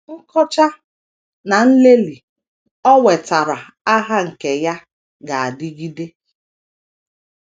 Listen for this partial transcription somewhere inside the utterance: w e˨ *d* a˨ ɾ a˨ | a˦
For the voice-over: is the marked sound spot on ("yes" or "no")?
no